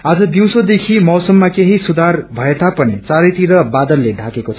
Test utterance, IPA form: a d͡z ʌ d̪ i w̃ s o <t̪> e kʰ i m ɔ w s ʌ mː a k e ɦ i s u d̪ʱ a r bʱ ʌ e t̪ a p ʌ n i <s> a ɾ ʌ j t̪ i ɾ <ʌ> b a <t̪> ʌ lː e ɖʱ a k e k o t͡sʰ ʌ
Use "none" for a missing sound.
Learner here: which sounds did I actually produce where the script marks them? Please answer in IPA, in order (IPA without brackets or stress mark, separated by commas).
d̪, t͡s, ʌ, d̪